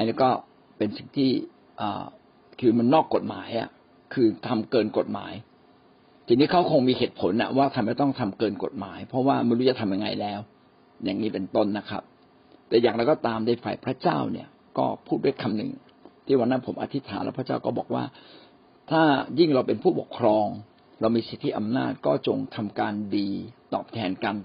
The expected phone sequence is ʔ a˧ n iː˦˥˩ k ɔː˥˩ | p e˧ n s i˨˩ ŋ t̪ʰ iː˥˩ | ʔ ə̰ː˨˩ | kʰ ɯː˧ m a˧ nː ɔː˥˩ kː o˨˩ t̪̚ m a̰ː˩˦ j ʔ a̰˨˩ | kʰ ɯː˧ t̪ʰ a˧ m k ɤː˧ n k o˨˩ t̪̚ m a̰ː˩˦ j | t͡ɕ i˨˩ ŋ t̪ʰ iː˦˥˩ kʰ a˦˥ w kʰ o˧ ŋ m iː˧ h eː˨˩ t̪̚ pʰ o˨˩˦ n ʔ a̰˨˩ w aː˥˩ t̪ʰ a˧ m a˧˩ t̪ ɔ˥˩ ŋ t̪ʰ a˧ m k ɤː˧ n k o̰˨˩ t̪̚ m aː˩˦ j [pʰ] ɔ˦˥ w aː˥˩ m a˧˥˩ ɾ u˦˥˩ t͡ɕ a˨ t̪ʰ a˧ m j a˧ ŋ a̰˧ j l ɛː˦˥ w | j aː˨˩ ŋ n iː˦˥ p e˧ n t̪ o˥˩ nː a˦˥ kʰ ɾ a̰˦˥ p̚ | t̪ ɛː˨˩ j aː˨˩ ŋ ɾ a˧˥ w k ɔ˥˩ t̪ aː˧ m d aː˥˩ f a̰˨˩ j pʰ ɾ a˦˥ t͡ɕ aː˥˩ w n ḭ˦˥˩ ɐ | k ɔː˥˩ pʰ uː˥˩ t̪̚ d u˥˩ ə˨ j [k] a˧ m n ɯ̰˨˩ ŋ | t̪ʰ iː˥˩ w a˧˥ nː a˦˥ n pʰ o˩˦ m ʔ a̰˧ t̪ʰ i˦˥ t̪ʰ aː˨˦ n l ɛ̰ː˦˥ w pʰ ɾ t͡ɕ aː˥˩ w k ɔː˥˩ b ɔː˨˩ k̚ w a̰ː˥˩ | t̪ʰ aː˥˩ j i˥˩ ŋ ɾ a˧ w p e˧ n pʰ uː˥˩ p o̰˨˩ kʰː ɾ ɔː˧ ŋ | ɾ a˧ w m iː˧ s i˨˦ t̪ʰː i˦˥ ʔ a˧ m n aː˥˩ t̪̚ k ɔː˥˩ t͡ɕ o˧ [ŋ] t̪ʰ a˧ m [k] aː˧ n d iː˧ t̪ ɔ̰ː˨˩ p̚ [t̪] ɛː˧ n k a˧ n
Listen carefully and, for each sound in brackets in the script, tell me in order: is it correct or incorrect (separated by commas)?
correct, incorrect, correct, correct, incorrect